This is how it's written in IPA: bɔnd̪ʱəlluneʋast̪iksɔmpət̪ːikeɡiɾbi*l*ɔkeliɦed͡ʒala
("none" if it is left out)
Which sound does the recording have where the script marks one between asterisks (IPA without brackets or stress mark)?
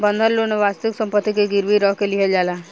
ɾ